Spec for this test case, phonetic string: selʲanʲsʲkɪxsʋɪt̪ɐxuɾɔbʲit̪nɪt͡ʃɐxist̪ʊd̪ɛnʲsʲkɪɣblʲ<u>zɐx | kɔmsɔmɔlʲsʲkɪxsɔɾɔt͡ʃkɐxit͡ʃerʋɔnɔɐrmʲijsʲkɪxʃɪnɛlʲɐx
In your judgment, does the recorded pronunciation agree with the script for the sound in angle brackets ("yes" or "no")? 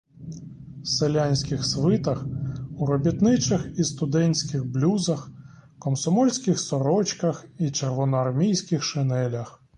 yes